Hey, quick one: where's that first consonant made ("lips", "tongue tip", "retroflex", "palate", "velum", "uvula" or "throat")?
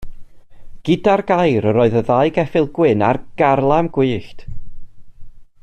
velum